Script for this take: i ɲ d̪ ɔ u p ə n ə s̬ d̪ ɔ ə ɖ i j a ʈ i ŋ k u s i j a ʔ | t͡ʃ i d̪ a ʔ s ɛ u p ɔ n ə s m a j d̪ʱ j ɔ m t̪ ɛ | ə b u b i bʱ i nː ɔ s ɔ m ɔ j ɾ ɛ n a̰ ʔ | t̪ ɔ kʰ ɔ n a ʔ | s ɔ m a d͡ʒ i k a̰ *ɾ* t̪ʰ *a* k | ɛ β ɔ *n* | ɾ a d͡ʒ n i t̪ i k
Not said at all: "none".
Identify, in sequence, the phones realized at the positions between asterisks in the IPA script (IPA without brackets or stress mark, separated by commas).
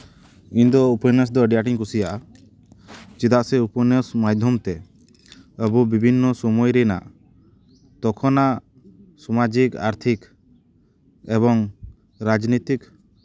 ɾ, i, ŋ